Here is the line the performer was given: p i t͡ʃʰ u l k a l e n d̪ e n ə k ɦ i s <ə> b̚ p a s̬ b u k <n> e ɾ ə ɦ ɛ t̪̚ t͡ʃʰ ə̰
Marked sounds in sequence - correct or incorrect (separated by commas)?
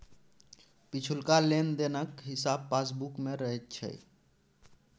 incorrect, incorrect